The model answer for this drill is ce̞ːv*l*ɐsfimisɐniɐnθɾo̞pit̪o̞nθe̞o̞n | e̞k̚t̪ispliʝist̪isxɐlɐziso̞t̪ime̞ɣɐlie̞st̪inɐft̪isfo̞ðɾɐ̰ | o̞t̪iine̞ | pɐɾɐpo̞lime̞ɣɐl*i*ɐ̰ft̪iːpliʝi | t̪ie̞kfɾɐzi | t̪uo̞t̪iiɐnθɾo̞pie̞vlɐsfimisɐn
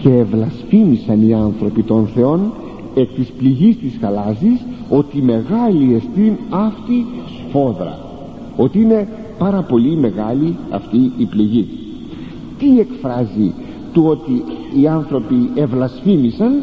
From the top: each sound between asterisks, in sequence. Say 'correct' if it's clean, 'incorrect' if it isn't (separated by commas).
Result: correct, correct